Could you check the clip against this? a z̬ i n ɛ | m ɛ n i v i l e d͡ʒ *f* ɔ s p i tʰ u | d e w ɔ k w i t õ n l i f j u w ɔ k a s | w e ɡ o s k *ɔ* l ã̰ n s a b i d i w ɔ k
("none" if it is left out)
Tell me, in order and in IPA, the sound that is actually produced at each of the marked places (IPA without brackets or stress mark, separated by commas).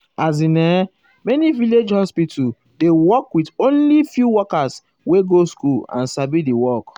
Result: h, u